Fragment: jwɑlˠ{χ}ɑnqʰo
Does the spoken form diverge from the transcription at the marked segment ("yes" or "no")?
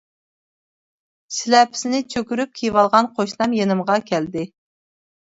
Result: yes